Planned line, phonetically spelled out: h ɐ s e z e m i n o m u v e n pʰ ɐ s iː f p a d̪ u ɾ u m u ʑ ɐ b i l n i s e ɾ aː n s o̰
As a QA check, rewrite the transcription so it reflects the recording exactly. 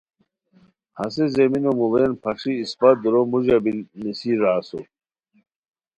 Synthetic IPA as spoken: h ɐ s e z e m i n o m u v e n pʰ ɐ ʂ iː s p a d̪ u ɾ o m u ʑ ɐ b i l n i s i ɾ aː s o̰